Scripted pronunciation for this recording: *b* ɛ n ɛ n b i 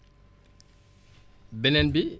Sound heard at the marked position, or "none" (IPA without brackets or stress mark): b